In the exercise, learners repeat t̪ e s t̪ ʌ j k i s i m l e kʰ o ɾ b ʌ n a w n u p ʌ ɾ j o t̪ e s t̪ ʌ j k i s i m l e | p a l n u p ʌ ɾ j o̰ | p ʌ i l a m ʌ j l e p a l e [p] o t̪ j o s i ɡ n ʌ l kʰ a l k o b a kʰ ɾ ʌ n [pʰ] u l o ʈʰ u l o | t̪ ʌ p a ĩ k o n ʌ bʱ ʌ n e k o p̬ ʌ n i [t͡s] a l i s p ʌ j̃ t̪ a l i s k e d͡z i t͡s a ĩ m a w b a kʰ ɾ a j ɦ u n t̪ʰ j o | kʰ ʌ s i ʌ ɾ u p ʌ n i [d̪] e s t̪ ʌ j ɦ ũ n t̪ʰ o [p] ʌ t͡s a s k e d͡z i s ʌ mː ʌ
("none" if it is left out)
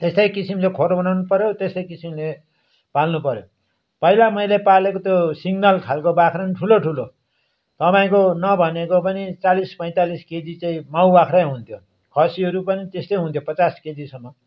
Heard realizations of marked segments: k, ʈʰ, t͡s, t̪, p

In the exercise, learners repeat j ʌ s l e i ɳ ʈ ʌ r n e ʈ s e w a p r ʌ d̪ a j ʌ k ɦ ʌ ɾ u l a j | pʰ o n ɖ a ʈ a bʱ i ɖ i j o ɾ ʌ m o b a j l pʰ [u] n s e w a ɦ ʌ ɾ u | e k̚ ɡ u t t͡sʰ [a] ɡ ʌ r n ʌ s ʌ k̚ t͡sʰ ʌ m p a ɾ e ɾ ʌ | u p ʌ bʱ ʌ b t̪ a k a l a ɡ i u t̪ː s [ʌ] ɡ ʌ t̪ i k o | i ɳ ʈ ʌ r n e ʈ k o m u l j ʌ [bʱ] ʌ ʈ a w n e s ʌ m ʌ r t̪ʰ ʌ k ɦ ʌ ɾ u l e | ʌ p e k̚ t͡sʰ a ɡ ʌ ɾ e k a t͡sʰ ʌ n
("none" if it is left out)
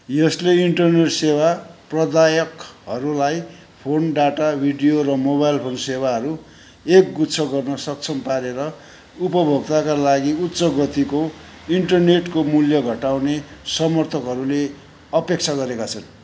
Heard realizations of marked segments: o, ʌ, ʌ, ɡʱ

